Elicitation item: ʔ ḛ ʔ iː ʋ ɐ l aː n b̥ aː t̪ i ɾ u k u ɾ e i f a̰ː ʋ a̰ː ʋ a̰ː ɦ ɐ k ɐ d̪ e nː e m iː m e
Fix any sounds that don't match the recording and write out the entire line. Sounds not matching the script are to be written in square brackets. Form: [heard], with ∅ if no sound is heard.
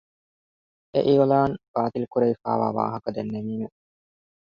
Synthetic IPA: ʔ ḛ ʔ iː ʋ ɐ l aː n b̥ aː t̪ i [l] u k u ɾ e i f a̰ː ʋ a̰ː ʋ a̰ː ɦ ɐ k ɐ d̪ e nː e m iː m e